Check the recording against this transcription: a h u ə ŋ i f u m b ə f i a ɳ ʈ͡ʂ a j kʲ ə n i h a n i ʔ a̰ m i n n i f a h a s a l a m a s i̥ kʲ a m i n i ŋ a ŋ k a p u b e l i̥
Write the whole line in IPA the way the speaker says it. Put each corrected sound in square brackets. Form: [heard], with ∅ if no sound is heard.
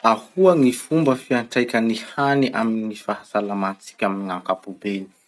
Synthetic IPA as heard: a h u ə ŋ i f u m b ə f i a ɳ ʈ͡ʂ a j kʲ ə n i h a n i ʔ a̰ m i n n i f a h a s a l a m a [t͡s] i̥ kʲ a m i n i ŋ a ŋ k a p u b e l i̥